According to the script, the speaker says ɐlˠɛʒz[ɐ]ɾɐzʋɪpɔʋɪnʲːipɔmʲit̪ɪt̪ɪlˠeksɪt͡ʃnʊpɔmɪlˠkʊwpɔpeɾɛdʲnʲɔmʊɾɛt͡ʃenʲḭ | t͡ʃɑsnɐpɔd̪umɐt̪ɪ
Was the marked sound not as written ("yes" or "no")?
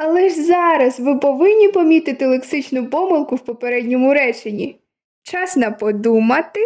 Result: yes